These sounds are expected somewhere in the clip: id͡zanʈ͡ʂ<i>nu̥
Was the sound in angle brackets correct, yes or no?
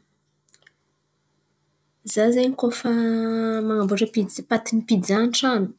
no